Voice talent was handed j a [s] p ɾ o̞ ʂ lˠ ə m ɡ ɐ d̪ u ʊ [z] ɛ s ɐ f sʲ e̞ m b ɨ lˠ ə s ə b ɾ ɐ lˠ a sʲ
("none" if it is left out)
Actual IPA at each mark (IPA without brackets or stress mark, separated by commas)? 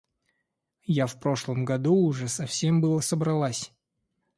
f, ʐ